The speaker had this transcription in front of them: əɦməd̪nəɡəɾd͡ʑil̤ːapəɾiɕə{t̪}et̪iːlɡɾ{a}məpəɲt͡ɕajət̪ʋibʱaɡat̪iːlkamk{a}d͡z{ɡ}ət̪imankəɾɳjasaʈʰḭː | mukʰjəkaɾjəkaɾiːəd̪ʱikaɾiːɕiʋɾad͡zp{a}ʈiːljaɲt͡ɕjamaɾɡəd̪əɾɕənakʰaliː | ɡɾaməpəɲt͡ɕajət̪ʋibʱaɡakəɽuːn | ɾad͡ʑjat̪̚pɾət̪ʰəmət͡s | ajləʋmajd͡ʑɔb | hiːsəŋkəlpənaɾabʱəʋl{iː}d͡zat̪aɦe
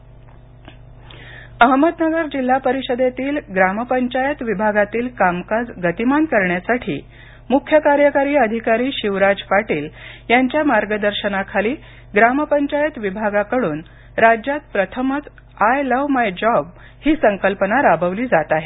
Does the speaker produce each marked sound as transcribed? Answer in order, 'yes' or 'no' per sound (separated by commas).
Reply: no, yes, yes, yes, yes, yes